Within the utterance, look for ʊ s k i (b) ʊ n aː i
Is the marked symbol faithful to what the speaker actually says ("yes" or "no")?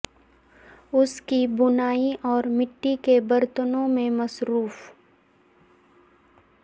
yes